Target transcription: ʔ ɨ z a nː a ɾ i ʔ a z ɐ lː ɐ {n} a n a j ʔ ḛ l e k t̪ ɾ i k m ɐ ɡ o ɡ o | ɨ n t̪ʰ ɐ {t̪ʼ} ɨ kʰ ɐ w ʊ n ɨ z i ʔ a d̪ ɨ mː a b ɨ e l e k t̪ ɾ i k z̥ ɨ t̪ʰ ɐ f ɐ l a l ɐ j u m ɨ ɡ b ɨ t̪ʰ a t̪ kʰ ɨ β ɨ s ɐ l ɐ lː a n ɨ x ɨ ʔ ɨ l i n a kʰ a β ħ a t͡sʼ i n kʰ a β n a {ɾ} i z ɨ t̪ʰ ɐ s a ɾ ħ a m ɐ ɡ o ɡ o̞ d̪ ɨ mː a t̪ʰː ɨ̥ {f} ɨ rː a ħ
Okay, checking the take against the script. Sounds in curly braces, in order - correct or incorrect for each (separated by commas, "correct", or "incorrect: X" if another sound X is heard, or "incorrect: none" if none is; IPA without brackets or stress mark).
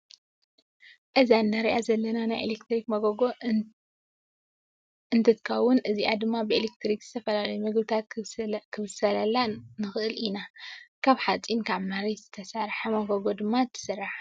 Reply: correct, incorrect: t̪, correct, incorrect: s